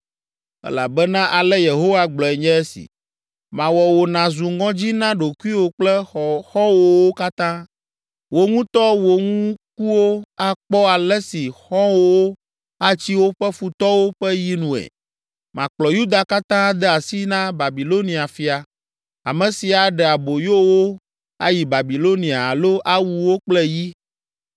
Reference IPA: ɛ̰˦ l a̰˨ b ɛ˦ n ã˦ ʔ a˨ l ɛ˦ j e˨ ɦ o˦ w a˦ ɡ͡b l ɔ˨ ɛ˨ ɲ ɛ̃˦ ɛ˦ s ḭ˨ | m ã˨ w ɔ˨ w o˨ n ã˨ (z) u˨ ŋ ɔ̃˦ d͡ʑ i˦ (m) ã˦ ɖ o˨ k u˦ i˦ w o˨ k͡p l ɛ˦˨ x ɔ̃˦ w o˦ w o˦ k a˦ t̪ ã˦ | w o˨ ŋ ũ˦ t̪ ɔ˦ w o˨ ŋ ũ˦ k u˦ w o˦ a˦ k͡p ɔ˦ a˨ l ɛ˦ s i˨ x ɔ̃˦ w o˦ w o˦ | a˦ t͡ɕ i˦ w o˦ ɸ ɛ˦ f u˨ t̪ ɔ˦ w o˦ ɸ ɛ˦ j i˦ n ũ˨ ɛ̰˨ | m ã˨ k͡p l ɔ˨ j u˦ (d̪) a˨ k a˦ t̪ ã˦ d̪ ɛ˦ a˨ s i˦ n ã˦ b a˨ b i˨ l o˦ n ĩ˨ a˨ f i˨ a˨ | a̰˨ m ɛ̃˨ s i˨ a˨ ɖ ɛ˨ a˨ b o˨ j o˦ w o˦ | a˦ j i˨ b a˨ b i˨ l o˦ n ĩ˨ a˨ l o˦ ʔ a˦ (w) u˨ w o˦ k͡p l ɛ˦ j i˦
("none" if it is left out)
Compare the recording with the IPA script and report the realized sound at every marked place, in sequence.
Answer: z, n, d̪, w

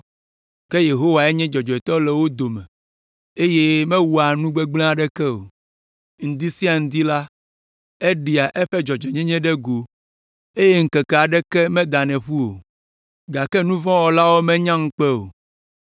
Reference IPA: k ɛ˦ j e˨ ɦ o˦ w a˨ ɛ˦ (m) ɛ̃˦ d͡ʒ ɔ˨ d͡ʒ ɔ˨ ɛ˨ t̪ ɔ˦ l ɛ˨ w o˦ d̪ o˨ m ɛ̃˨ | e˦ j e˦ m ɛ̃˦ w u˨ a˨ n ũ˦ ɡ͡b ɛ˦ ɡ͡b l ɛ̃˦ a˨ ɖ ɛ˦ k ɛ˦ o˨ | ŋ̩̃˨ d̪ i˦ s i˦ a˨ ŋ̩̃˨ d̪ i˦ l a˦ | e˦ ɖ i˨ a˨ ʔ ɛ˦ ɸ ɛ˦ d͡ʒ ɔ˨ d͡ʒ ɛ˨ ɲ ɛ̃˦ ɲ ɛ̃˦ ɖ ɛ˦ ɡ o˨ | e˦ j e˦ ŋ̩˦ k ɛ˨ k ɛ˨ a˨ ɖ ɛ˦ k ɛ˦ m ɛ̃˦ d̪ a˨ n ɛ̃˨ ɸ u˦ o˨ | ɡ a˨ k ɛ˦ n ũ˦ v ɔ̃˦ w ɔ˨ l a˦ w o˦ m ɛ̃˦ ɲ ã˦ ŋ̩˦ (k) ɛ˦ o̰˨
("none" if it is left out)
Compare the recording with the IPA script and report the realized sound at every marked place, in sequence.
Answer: ɲ, k͡p

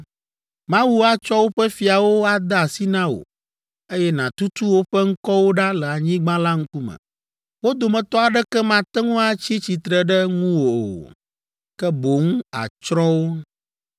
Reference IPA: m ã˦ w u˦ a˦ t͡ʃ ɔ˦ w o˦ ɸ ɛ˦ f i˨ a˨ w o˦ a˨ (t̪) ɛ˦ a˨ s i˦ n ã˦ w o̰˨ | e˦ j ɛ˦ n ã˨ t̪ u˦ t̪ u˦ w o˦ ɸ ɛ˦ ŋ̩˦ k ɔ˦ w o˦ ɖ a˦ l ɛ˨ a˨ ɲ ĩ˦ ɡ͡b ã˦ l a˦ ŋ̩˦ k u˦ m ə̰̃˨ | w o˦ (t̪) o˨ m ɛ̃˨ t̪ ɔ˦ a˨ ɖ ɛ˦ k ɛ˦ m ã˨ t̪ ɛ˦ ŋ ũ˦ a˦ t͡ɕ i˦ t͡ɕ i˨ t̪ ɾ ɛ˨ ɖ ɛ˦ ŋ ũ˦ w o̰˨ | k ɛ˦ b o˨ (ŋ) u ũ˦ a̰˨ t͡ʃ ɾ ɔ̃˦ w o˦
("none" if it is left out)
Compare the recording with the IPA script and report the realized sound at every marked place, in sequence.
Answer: d̪, d̪, ŋ

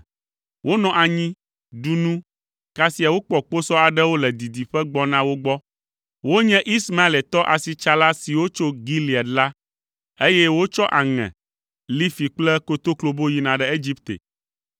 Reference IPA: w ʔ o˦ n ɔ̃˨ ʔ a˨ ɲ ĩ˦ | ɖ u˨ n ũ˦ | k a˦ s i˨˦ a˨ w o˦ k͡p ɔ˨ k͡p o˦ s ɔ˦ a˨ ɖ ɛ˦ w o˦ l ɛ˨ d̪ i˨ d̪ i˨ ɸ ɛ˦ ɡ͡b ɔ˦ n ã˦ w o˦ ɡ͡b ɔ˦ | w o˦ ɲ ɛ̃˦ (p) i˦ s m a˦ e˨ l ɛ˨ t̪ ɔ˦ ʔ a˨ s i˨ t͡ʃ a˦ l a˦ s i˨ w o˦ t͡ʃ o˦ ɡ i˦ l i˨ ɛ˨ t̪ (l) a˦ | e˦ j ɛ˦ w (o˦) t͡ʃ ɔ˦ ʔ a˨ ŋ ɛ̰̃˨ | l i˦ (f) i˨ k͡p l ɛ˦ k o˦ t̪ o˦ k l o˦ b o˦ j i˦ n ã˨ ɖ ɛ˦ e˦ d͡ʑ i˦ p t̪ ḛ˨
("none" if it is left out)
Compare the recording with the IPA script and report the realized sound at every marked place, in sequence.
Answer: ʔ, l, o˦, f

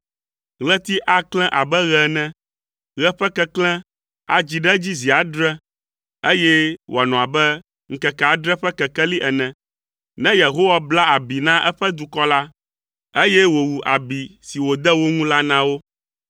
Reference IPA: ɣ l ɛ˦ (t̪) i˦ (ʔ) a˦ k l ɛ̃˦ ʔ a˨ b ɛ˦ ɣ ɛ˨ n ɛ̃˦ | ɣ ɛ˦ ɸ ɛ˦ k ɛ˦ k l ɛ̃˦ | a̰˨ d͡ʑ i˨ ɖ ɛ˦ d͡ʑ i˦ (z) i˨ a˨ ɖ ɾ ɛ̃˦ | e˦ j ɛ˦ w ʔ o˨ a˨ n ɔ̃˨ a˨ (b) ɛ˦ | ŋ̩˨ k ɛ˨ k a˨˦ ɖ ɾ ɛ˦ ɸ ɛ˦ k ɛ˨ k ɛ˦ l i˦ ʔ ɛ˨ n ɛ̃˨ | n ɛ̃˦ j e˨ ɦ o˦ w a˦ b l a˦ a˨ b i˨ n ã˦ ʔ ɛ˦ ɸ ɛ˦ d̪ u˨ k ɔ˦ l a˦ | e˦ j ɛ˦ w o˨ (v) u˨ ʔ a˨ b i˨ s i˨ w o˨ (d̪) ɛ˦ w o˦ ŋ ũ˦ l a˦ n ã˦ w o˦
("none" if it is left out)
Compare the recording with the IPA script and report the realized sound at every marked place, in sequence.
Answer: t̪, ʔ, z, b, w, d̪

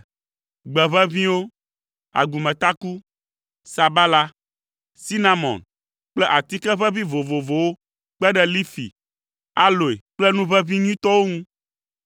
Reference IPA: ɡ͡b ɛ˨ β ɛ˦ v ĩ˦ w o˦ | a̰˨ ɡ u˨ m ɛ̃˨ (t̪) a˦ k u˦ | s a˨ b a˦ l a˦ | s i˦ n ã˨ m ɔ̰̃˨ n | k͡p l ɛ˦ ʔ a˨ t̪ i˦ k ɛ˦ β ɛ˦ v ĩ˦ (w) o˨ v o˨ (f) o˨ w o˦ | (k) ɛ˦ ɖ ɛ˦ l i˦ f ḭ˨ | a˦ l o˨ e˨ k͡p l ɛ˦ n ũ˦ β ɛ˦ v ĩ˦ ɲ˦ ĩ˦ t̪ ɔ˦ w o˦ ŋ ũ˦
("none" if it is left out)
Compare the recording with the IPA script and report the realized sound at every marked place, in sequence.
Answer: t̪, v, v, k͡p

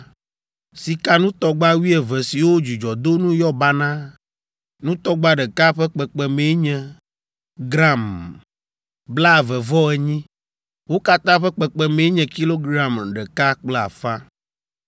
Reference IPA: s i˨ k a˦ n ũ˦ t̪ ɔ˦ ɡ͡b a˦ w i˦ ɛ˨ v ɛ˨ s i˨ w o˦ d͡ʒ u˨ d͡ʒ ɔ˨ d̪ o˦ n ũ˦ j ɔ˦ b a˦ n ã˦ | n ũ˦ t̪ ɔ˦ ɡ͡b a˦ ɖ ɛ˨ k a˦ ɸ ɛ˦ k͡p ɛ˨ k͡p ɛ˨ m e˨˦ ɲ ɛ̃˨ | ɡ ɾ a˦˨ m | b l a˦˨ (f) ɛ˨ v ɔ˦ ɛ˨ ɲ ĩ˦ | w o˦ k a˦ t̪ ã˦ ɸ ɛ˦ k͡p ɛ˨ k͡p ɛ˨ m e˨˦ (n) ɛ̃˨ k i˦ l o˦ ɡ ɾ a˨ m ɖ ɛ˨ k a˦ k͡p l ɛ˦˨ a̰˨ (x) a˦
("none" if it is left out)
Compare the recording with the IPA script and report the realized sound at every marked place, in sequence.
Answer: v, ɲ, f

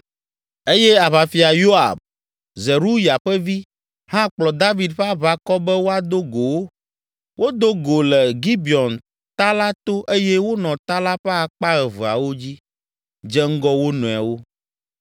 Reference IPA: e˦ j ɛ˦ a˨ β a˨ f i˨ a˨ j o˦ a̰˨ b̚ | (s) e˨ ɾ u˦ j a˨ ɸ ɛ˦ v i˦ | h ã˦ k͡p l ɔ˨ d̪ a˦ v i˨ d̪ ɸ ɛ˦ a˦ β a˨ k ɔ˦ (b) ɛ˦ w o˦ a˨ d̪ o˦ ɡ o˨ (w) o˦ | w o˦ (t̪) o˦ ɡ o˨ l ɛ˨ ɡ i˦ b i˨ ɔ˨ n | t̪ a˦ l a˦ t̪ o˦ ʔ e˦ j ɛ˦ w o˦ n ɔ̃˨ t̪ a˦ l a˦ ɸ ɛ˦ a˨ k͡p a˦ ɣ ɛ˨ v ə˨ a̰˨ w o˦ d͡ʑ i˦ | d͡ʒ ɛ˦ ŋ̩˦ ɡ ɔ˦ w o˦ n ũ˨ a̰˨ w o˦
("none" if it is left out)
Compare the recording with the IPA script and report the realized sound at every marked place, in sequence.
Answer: z, b, w, d̪

